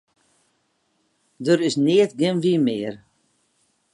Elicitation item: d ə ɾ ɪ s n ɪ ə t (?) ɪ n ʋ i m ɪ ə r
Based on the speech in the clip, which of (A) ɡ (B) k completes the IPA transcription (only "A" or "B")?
A